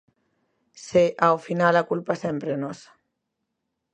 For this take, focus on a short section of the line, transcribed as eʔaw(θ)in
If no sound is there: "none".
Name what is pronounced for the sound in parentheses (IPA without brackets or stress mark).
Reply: f